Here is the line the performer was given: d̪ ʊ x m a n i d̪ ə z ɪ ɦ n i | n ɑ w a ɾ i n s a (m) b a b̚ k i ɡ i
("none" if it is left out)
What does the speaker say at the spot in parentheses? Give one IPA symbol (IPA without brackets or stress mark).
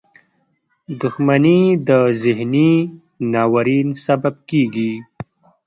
none